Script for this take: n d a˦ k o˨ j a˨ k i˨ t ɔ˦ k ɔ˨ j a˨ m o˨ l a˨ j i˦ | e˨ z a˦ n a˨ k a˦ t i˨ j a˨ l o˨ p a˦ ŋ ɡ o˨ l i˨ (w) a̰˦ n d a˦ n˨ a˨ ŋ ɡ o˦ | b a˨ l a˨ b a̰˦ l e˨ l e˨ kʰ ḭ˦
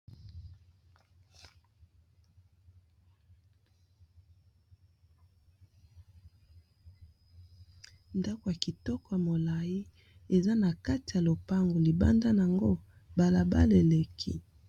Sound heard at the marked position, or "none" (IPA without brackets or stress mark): b